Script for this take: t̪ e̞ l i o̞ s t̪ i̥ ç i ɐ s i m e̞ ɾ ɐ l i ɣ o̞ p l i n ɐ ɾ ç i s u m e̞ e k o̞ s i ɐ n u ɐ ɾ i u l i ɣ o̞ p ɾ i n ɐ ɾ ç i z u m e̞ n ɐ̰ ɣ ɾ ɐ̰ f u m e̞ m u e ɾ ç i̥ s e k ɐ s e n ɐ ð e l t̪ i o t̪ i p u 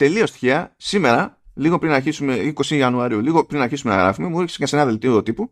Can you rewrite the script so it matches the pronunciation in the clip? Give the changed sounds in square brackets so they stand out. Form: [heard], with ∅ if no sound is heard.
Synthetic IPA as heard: t̪ e̞ l i o̞ s t̪ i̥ ç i ɐ s i m e̞ ɾ ɐ l i ɣ o̞ p [ɾ] i n ɐ ɾ ç i s u m e̞ [i] k o̞ s i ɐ n u ɐ ɾ i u l i ɣ o̞ p ɾ i n ɐ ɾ ç i [s] u m e̞ n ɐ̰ ɣ ɾ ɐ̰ f u m e̞ m u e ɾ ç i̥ s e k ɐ s e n ɐ ð e l t̪ i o t̪ i p u